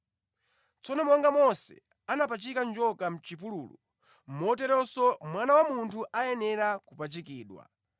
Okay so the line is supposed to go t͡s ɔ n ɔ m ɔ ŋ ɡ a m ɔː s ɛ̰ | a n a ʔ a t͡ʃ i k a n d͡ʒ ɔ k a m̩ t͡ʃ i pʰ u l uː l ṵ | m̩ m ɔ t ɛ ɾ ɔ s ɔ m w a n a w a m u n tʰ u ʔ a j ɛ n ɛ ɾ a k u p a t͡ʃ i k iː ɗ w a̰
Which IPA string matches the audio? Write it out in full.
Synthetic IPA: t͡s ɔ n ɔ m ɔ ŋ ɡ a m ɔ s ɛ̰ | a n a p a t͡ʃ i k a n d͡ʒ ɔ k a m̩ t͡ʃ i p u l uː l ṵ | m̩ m ɔ t ɛ ɾ ɔ s ɔ m w a n a w a m u n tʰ u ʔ a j ɛ n ɛ ɾ a k u p a t͡ʃ i k iː ɗ w a̰